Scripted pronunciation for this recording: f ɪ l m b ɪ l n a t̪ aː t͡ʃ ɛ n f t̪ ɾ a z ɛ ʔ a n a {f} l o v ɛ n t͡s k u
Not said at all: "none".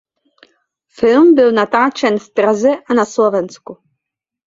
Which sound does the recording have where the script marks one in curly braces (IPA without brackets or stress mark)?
s